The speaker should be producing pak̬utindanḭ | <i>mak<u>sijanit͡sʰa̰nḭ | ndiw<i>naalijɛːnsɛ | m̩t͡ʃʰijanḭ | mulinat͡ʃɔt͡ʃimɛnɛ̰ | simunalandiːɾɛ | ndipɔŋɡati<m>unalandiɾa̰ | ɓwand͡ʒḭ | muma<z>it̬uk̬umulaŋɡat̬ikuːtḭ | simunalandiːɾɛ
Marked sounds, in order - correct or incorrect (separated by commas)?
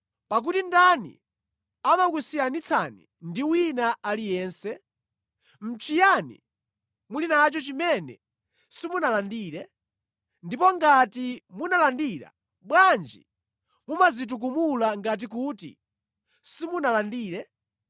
incorrect, correct, correct, correct, correct